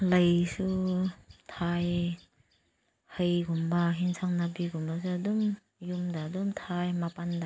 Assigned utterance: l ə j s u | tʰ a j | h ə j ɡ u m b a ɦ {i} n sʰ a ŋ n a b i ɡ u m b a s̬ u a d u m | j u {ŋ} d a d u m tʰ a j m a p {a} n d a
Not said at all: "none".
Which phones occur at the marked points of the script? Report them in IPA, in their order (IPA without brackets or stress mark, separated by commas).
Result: i, m, a